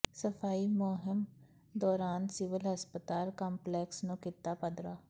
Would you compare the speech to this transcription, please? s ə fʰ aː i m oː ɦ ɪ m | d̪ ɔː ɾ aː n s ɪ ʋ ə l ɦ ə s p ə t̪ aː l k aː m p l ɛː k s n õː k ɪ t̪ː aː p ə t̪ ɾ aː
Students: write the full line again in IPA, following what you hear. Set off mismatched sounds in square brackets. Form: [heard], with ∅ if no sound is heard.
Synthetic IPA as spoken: s ə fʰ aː i m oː ɦ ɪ m | d̪ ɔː ɾ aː n s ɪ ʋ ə l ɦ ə s p ə t̪ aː l k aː m p l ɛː k s n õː k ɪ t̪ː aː p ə [d̪] ɾ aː